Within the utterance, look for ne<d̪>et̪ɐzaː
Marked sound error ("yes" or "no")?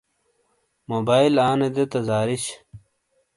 no